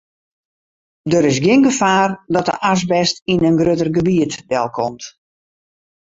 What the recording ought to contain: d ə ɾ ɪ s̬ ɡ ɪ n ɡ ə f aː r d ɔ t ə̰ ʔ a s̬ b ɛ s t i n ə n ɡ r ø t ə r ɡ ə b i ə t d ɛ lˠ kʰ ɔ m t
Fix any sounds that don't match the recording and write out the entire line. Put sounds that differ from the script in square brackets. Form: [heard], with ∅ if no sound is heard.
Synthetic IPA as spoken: d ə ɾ ɪ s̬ ɡ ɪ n ɡ ə f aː r d ɔ t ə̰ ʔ a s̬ b ɛ s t i n ə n ɡ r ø t ə r ɡ ə b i ə t d ɛ lˠ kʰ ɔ m t